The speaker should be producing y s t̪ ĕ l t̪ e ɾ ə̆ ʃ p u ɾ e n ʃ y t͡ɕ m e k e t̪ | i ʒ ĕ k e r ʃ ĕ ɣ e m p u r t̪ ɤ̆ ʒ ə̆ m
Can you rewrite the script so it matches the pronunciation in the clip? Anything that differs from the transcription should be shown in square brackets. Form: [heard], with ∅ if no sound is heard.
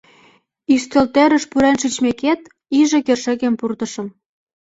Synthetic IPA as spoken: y s t̪ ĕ l t̪ e ɾ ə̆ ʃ p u ɾ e n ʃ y t͡ɕ m e k e t̪ | i ʒ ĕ k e r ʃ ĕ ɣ e m p u r t̪ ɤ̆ [ʃ] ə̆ m

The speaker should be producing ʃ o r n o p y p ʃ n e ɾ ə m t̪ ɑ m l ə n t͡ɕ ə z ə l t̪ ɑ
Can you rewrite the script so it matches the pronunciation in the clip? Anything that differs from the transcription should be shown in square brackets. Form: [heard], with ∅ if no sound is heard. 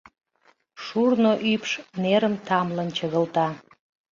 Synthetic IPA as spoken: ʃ [u] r n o [ʔ] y p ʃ n e ɾ ə m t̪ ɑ m l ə n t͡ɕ ə [ɣ] ə l t̪ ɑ

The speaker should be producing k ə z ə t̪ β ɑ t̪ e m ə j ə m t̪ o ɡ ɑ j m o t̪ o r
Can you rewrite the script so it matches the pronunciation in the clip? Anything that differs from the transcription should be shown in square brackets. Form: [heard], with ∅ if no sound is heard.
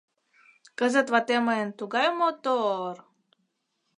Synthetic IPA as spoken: k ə z ə t̪ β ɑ t̪ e m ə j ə [n] t̪ [u] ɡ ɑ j m o t̪ o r

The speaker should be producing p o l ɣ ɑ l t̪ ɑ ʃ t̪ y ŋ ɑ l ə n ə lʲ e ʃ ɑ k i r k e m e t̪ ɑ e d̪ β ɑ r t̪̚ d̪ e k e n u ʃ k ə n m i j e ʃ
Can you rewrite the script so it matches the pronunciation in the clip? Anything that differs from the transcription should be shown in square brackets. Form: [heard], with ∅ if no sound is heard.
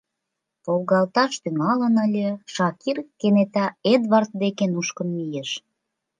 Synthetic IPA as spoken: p o l ɣ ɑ l t̪ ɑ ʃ t̪ y ŋ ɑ l ə n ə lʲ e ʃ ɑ k i r k e [n] e t̪ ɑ e d̪ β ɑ r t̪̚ d̪ e k e n u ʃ k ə n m i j e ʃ

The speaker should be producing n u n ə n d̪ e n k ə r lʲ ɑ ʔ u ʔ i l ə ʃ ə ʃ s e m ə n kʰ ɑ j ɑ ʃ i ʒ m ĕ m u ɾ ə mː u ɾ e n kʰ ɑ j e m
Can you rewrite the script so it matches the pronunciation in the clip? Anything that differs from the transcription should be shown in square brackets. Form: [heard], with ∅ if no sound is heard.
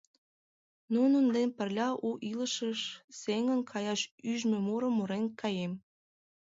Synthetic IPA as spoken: n u n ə n d̪ e n [p] ə r lʲ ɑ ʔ u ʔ i l ə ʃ ə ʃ s e [ŋ] ə n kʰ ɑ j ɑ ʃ [y] ʒ m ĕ m u ɾ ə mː u ɾ e n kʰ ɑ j e m

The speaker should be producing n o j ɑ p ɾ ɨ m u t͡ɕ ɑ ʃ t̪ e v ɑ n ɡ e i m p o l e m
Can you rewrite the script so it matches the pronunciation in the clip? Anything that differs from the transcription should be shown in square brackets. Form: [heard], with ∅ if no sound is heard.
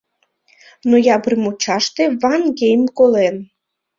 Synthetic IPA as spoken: n o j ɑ [b] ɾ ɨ m u t͡ɕ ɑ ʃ t̪ e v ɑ n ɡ e [j] m [k] o l e [n]

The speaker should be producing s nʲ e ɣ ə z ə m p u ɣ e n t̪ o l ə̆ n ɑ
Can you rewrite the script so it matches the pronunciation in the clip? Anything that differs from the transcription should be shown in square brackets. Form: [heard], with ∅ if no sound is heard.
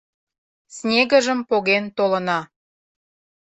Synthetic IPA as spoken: s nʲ e ɣ ə [ʒ] ə m p [o] ɣ e n t̪ o l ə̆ n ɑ

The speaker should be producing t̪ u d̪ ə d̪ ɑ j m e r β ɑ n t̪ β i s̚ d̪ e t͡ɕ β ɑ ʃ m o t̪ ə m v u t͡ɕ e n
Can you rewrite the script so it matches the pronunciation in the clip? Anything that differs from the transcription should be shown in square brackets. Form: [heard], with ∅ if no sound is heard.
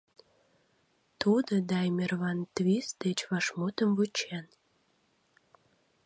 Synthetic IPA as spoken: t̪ u d̪ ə d̪ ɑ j m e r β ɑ n t̪ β i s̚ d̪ e t͡ɕ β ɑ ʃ m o t̪ ə m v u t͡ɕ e n

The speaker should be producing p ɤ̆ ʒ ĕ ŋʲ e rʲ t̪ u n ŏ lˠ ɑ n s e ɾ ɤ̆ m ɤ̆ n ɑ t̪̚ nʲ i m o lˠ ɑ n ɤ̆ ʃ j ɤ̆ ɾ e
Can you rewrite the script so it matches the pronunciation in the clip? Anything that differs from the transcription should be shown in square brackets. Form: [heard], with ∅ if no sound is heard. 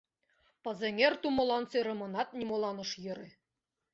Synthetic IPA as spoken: p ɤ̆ [z] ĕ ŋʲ e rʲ t̪ u [m] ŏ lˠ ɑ n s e ɾ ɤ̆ m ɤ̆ n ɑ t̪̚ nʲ i m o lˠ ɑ n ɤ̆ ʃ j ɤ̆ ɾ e

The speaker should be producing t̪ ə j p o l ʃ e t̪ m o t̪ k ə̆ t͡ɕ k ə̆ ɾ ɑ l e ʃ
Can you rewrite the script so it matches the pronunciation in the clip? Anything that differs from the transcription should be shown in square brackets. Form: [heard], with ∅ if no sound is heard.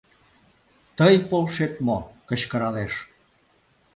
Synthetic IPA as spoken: t̪ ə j p o l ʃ e t̪ m o [∅] k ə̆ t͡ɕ k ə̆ ɾ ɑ l e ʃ

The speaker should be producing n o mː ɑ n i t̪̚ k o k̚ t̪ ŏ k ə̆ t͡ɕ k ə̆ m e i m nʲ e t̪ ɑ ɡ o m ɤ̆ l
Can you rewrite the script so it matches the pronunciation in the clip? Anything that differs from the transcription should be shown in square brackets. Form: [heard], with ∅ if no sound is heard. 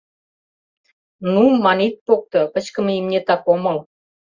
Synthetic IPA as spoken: n [u] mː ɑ n i t̪̚ [p] o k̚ t̪ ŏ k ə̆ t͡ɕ k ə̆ m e i m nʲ e t̪ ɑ [k] o m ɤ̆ l

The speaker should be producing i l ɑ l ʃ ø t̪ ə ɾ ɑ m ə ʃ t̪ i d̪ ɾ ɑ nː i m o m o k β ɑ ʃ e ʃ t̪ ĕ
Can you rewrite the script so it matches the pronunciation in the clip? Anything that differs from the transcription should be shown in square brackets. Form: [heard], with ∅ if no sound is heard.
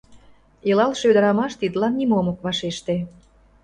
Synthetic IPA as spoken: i l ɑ l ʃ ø [d̪] ə ɾ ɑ m [ɑ] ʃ t̪ i d̪ [l] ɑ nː i m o m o k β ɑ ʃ e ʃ t̪ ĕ

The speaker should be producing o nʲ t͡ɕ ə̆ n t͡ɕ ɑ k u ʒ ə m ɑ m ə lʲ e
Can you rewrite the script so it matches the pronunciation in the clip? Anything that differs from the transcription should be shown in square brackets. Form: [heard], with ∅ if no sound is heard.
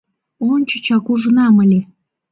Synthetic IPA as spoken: o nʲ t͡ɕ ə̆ [∅] t͡ɕ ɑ k u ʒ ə [n] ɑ m ə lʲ e

